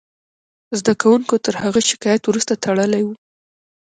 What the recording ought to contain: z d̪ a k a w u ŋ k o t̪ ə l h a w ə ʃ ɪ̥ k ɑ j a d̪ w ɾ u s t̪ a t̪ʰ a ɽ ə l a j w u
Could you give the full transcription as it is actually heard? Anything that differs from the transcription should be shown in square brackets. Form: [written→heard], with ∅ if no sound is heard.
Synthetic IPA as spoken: z d̪ a k a w u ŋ k o t̪ ə [l→ɾ] h a [w→ɣ] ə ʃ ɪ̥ k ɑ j a [d̪→t̪] w ɾ u s t̪ a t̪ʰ a ɽ ə l a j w u